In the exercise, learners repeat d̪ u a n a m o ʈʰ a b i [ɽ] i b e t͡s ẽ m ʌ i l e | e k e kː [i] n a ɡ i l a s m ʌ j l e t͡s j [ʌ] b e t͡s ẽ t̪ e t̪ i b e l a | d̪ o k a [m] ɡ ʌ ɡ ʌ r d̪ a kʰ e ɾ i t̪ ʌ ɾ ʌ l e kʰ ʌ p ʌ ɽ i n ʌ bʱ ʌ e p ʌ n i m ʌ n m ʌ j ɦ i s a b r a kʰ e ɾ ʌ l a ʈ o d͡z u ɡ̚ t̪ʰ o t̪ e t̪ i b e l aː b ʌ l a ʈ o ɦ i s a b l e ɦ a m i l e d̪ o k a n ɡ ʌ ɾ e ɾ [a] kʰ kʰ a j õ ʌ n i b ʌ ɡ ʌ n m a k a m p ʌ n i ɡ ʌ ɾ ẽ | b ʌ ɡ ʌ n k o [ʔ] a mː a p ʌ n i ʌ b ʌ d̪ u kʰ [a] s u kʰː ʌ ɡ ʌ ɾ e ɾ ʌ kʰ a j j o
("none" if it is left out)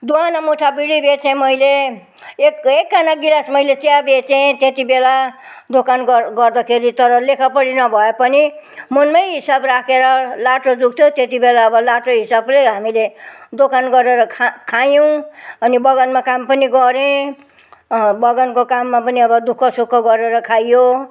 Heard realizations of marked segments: ɽ, a, a, n, ʌ, k, ʌ

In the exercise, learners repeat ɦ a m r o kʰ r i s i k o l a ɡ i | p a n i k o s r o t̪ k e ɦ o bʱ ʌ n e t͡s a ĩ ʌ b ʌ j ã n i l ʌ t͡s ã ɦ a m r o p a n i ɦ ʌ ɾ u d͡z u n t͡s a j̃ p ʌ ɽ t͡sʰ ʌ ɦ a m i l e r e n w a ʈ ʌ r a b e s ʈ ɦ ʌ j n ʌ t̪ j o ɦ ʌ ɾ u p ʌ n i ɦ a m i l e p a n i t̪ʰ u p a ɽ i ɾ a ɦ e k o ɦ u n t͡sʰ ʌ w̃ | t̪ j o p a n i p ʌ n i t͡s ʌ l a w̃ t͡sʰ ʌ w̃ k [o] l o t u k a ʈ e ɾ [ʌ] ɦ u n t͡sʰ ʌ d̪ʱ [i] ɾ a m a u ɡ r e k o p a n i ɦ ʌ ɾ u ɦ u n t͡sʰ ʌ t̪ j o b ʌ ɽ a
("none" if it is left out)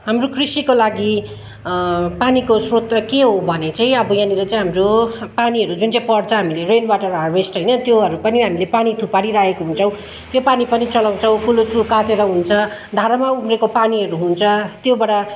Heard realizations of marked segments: u, ʌ, a

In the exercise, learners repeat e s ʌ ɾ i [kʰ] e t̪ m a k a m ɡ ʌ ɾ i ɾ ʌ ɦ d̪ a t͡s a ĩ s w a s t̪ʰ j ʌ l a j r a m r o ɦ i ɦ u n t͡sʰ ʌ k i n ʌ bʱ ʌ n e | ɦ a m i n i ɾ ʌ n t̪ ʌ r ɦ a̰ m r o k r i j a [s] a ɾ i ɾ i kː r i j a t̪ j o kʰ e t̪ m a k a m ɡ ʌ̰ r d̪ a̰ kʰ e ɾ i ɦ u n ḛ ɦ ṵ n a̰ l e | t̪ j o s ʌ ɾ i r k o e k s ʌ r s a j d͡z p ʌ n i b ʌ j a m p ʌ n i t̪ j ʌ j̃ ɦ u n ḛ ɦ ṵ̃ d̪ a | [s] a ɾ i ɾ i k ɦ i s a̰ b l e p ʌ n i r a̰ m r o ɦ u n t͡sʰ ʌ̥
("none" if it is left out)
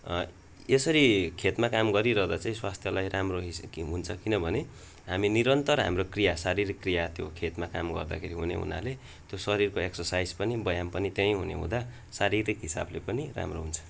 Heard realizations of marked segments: kʰ, s, s

